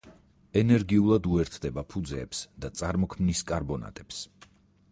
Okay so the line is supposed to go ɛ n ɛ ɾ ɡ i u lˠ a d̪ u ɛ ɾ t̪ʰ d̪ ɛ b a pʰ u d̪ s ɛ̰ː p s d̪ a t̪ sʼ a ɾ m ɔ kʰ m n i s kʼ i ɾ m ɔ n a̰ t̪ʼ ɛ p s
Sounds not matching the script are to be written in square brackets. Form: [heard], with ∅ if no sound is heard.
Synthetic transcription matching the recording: ɛ n ɛ ɾ ɡ i u lˠ a d̪ u ɛ ɾ t̪ʰ d̪ ɛ b a pʰ u d̪ [z] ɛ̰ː p s d̪ a t̪ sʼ a ɾ m ɔ kʰ m n i s kʼ [a] ɾ [b] ɔ n a̰ t̪ʼ ɛ p s